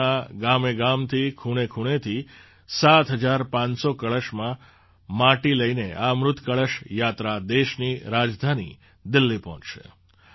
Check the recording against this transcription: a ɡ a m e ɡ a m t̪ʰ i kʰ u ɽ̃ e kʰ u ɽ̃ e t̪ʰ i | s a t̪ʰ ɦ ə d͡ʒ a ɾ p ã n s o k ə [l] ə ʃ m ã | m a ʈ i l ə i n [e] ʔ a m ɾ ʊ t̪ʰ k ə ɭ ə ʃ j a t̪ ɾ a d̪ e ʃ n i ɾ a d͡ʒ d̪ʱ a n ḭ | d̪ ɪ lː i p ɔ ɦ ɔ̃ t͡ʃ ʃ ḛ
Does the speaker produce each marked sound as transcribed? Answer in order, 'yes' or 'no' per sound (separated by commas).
no, yes